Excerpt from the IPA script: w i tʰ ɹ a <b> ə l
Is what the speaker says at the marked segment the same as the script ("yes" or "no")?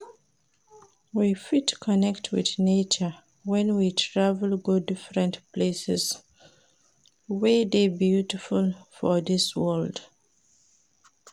no